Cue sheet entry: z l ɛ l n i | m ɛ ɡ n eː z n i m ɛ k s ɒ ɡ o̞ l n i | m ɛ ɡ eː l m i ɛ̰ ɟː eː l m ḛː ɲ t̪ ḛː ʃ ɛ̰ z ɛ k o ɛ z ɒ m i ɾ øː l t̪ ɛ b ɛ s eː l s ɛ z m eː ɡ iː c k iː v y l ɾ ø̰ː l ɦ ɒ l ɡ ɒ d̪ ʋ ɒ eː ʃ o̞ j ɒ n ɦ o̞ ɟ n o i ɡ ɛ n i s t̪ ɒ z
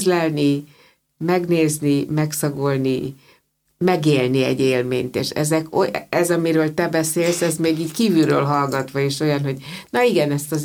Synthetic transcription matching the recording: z l ɛ l n i | m ɛ ɡ n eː z n i m ɛ k s ɒ ɡ o̞ l n i | m ɛ ɡ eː l n i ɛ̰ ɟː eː l m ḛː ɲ t̪ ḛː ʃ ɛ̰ z ɛ k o ɛ z ɒ m i ɾ øː l t̪ ɛ b ɛ s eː l s ɛ z m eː ɡ iː c k iː v y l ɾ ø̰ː l ɦ ɒ l ɡ ɒ t̪ ʋ ɒ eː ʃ o̞ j ɒ n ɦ o̞ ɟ n ɒ i ɡ ɛ n ɛ s t̪ ɒ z